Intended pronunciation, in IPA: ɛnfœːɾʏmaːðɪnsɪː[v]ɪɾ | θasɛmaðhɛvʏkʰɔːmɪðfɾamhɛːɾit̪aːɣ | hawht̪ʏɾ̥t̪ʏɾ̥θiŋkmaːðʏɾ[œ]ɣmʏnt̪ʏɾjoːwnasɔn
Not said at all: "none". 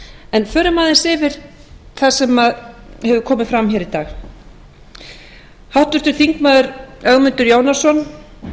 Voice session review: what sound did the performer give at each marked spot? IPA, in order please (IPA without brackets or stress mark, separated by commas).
v, œ